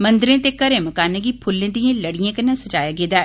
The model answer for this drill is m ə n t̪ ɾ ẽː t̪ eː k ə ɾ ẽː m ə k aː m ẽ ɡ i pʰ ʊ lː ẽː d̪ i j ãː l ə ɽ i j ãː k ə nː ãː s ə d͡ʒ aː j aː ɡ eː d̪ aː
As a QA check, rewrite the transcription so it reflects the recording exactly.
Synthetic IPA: m ə n d̪ ɾ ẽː t̪ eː k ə ɾ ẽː m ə k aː n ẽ ɡ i pʰ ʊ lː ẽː d̪ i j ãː l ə ɽ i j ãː k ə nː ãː s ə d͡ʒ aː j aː ɡ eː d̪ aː